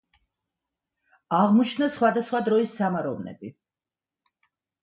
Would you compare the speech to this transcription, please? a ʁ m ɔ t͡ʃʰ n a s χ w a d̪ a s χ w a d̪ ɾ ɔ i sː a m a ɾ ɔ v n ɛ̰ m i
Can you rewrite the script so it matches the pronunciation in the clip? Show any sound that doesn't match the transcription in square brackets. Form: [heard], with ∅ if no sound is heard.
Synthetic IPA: a ʁ m ɔ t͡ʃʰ n a s χ w a d̪ a s χ w a d̪ ɾ ɔ i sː a m a ɾ ɔ v n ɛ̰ [b] i